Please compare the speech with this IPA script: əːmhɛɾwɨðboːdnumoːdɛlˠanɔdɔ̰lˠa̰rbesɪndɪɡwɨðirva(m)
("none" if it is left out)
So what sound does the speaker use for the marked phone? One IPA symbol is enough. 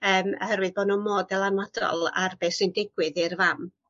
m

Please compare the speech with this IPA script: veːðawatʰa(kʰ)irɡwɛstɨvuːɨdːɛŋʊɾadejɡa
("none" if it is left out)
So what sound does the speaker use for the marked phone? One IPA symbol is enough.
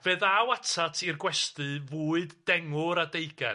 tʰ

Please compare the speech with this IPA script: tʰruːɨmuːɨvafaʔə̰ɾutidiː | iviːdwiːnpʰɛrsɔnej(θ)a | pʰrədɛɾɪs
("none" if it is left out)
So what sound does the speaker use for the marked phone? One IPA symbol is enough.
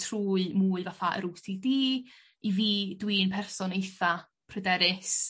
θ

